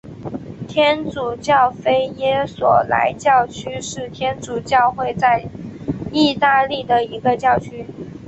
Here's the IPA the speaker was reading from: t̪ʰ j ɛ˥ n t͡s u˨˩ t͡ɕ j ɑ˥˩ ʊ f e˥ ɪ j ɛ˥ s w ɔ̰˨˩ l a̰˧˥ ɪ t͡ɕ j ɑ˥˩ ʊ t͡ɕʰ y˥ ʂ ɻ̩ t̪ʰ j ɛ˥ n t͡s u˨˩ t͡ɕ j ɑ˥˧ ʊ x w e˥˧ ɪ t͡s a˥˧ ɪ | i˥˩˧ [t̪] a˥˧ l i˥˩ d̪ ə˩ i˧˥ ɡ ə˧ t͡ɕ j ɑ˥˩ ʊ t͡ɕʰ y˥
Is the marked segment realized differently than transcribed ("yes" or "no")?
no